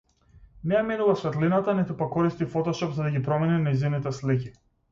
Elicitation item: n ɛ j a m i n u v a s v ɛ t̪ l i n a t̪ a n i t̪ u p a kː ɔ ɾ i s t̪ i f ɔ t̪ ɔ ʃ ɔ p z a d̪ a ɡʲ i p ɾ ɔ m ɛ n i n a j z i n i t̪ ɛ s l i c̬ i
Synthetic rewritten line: n ɛ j a m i n u v a s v ɛ t̪ l i n a t̪ a n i t̪ u p a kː ɔ ɾ i s t̪ i f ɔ t̪ ɔ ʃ ɔ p z a d̪ a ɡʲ i p ɾ ɔ m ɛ n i n a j z i n i t̪ ɛ s l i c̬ i